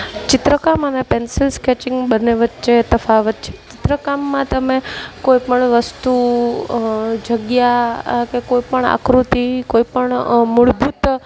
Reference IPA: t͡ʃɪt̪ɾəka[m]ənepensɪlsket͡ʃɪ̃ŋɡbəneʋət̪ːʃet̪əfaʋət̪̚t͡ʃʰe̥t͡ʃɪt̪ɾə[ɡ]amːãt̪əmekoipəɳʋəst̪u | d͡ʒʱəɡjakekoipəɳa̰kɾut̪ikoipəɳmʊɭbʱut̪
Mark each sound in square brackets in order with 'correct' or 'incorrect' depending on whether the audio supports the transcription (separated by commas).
correct, incorrect